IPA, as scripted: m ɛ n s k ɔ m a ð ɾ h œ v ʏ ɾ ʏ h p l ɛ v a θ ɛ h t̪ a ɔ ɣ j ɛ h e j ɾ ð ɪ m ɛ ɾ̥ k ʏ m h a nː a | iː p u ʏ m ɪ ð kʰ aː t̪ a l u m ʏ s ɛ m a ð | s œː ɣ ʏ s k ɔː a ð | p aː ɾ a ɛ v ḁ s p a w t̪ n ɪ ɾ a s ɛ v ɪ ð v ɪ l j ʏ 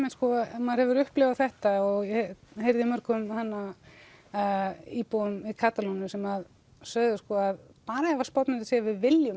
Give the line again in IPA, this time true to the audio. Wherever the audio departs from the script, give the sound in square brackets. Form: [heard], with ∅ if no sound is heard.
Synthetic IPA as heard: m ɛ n s k ɔ m a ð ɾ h [ɛ] v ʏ ɾ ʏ h p l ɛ v a θ ɛ h t̪ a ɔ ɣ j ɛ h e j ɾ ð ɪ m [œ] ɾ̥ k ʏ m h a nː a | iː p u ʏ m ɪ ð kʰ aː t̪ a l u [n] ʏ s ɛ m a ð | s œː [ð] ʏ s k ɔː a ð | p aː ɾ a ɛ v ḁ s p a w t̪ n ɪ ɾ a s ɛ v ɪ ð v ɪ l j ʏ